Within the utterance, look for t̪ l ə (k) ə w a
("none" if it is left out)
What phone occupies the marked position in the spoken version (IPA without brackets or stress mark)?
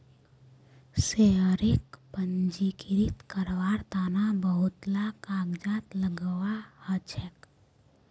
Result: ɡ